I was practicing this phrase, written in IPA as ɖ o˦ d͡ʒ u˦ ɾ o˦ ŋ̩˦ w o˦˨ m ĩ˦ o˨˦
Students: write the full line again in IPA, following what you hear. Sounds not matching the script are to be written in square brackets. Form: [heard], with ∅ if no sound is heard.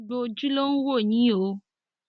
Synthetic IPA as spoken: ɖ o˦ d͡ʒ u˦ [l] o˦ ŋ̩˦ w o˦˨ [ɲ] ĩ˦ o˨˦